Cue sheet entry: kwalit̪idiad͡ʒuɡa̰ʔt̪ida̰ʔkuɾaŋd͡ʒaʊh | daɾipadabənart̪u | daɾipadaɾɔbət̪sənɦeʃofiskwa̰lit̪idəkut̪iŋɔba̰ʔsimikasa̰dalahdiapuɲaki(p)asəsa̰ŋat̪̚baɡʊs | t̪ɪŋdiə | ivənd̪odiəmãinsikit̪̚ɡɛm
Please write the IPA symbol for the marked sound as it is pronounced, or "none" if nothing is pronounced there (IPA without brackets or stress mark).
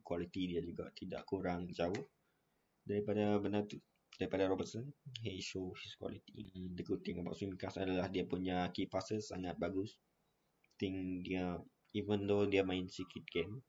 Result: p